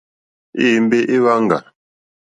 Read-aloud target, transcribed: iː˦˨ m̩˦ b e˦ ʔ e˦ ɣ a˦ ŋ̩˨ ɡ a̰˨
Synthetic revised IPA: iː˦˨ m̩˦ b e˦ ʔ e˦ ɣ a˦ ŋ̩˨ ɡ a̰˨